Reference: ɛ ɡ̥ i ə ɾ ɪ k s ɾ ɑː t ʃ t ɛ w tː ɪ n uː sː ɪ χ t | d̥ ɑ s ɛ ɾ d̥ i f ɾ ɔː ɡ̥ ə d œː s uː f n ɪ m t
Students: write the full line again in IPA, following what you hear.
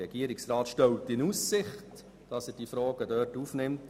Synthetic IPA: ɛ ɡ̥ i ə ɾ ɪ k s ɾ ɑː t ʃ t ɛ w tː ɪ n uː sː ɪ χ t | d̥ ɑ s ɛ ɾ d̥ i f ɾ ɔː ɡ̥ ə d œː t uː f n ɪ m t